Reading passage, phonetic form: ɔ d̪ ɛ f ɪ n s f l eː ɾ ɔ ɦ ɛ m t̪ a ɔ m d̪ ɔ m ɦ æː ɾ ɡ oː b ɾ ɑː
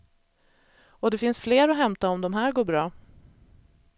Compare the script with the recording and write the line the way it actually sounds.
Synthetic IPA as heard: ɔ d̪ ɛ f ɪ n s f l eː ɾ ɔ ɦ ɛ m t̪ a ɔ m d̪ ɔ m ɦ æː ɾ ɡ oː b ɾ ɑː

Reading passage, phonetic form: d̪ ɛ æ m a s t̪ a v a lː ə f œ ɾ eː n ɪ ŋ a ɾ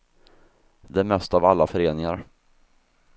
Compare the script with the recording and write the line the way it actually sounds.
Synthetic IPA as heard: d̪ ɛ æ m ɛ s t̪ a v a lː a f œ ɾ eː n ɪ ŋ a ɾ

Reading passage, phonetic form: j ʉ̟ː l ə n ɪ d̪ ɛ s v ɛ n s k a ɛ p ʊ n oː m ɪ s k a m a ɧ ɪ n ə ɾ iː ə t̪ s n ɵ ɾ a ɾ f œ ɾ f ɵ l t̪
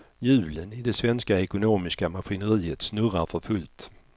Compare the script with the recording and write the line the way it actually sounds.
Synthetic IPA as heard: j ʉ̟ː l ə n ɪ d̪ ɛ s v ɛ n s k a ɛ k ʊ n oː m ɪ s k a m a ɧ ɪ n ə ɾ iː ə t̪ s n ɵ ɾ a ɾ f œ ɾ f ɵ l t̪

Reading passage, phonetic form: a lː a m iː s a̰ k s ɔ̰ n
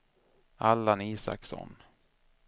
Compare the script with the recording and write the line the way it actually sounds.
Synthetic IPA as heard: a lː a n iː s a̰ k s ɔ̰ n

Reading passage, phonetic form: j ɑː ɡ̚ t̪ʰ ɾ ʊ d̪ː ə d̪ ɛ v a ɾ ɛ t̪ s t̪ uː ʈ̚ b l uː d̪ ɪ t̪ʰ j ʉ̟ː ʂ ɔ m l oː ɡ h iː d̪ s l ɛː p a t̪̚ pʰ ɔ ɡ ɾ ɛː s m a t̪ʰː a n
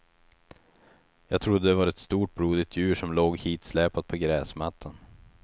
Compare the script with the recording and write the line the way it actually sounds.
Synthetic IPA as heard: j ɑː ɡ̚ t̪ʰ ɾ ʊ d̪ː ə d̪ ɛ v a ɾ ɛ t̪ s t̪ uː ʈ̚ b ɾ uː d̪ ɪ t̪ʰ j ʉ̟ː ʂ ɔ m l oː ɡ h iː t̪ s l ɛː p a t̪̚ pʰ ɔ ɡ ɾ ɛː s m a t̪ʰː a n

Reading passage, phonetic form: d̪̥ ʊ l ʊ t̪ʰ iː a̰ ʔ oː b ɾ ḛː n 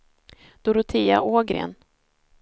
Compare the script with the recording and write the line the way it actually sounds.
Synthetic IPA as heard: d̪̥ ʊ ɾ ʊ t̪ʰ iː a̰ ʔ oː ɡ ɾ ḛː n

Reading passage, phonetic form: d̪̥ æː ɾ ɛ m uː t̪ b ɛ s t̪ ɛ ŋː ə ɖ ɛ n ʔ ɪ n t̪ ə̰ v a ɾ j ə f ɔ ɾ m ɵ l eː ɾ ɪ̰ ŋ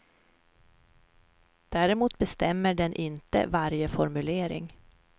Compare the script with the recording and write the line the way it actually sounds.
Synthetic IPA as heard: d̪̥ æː ɾ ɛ m uː t̪ b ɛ s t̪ ɛ mː ə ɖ ɛ n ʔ ɪ n t̪ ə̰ v a ɾ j ə f ɔ ɾ m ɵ l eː ɾ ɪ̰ ŋ

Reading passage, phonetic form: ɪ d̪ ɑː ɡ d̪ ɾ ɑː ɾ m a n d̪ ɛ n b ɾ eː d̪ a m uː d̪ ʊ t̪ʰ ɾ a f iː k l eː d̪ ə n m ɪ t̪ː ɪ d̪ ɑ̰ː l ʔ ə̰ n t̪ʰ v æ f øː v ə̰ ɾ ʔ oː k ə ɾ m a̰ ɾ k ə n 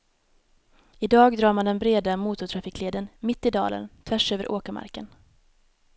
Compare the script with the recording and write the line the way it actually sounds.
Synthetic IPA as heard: ɪ d̪ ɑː ɡ d̪ ɾ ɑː ɾ m a n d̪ ɛ n b ɾ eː d̪ a m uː t̪ ʊ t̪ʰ ɾ a f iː k l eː d̪ ə n m ɪ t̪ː ɪ d̪ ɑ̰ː l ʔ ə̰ n t̪ʰ v æ ʂ øː v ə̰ ɾ ʔ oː k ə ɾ m a̰ ɾ k ə n

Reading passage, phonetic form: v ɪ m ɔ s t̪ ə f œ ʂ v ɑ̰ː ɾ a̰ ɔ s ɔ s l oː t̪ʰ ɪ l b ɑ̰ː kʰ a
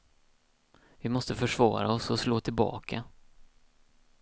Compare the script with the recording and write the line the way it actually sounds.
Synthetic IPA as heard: v ɪ m ɔ s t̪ ə f œ ʂ v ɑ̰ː ɾ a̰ ɔ s ɔ s l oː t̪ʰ ɪ l b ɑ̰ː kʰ a

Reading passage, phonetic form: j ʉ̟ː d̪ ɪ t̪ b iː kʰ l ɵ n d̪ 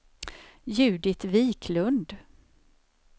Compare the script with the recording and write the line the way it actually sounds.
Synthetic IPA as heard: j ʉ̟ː d̪ ɪ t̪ v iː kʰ l ɵ n d̪

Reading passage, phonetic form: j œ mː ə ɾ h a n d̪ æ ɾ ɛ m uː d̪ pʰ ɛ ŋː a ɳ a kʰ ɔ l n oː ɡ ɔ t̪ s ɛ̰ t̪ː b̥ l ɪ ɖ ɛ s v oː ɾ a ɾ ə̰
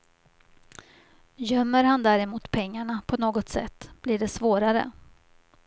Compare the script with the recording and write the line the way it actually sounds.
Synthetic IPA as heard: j œ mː ə ɾ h a n d̪ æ ɾ ɛ m uː t̪ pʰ ɛ ŋː a ɳ a pʰ ɔ n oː ɡ ɔ t̪ s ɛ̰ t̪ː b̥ l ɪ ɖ ɛ s v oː ɾ a ɾ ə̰

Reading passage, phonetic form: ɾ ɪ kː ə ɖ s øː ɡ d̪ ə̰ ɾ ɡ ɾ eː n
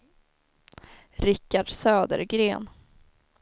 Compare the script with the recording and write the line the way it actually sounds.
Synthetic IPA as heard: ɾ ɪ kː a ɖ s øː d̪ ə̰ ɾ ɡ ɾ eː n

